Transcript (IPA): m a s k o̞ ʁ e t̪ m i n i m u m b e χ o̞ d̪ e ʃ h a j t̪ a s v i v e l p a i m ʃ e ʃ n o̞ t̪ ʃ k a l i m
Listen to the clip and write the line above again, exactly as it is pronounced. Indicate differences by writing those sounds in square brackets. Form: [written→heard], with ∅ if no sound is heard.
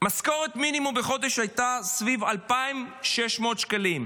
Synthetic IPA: m a s k o̞ ʁ e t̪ m i n i m u m b e χ o̞ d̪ e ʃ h a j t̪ a s v i v [e→a] l p a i m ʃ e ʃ [n→m] o̞ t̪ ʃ k a l i m